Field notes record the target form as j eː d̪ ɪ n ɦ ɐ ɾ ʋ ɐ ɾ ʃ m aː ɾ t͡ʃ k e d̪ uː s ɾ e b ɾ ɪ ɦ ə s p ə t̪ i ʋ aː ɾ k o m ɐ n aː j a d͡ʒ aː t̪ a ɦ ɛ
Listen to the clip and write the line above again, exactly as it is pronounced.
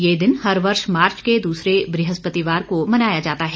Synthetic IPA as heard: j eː d̪ ɪ n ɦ ɐ ɾ ʋ ɐ ɾ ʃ m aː ɾ t͡ʃ k e d̪ uː s ɾ e b ɾ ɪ ɦ ə s p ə t̪ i ʋ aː ɾ k o m ɐ n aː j a d͡ʒ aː t̪ a ɦ ɛ